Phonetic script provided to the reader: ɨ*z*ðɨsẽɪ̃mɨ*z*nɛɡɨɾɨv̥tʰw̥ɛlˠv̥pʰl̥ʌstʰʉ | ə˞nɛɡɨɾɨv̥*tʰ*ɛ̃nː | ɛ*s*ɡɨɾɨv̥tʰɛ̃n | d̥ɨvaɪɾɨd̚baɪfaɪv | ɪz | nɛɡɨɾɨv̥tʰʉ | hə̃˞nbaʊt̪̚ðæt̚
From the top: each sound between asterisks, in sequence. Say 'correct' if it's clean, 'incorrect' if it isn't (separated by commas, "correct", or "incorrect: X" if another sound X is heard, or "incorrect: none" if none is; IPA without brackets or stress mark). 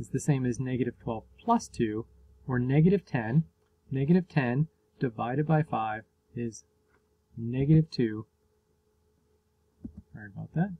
correct, correct, correct, incorrect: none